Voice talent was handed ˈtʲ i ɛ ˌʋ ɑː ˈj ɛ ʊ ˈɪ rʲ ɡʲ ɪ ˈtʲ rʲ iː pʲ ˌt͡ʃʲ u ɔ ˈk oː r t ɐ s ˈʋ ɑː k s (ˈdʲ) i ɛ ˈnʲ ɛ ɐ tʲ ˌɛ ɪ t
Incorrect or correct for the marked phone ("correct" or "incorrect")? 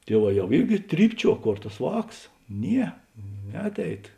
incorrect